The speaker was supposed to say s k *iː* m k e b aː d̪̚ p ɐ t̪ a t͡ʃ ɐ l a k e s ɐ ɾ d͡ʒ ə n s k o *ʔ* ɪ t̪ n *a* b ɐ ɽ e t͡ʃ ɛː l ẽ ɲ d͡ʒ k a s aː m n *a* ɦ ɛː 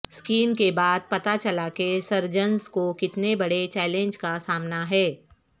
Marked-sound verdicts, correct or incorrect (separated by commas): correct, incorrect, incorrect, correct